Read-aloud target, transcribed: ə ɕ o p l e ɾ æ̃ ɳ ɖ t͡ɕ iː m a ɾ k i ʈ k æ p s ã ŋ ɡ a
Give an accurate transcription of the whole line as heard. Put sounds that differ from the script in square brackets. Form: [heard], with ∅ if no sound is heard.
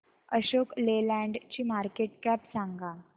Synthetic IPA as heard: ə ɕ o [k] l e [l] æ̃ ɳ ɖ t͡ɕ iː m a ɾ k [e] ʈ k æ p s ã ŋ ɡ a